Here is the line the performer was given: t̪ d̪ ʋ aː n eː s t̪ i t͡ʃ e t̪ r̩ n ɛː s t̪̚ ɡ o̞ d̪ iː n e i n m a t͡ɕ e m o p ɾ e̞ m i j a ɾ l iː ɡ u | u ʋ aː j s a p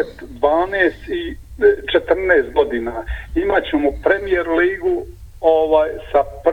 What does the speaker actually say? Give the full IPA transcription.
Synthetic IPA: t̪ d̪ ʋ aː n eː s t̪ i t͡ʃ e t̪ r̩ n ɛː s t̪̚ ɡ o̞ d̪ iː n a i m a t͡ɕ e m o p ɾ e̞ m i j e ɾ l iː ɡ u | o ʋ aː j s a p